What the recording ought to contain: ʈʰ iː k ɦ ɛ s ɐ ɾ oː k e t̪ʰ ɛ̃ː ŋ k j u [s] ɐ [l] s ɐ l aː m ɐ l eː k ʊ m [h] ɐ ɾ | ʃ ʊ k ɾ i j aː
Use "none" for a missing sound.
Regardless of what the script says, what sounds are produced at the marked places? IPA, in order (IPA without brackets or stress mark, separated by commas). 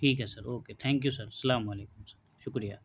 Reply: s, ɾ, s